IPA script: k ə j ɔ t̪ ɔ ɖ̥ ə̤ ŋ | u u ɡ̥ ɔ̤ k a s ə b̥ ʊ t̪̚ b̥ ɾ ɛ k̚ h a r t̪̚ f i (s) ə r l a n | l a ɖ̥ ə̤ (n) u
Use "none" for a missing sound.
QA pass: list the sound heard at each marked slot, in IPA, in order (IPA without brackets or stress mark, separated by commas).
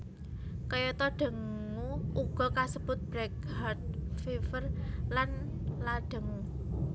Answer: f, ŋ